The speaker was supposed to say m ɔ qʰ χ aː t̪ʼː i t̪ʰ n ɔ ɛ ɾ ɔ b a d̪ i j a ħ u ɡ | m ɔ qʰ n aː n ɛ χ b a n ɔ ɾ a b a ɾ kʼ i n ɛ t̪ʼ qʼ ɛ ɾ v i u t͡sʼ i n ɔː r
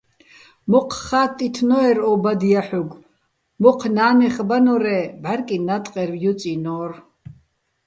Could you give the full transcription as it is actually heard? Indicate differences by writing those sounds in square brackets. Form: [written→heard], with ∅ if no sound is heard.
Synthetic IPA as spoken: m ɔ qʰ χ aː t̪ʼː i t̪ʰ n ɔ ɛ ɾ ɔ b a d̪ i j a ħ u ɡ | m ɔ qʰ n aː n ɛ χ b a n ɔ ɾ [a→ɛ] b a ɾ kʼ i n [ɛ→a] t̪ʼ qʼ ɛ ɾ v [i→j] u t͡sʼ i n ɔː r